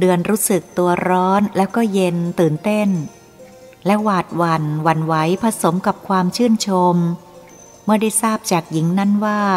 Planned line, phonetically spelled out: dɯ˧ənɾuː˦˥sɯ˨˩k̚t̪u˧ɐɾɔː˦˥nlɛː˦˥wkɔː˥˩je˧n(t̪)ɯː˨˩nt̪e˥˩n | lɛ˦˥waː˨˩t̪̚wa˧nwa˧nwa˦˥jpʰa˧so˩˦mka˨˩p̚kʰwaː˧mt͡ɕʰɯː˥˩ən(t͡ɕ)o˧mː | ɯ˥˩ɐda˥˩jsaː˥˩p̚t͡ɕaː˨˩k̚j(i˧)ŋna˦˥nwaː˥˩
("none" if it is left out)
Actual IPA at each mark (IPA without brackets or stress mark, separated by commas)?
t̪, t͡ɕʰ, i˩˦